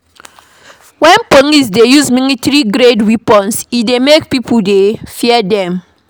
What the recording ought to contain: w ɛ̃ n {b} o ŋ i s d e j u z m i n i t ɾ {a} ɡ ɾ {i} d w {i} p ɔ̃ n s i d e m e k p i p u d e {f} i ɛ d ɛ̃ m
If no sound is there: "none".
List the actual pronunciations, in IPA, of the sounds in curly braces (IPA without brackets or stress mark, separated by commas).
p, i, e, i, f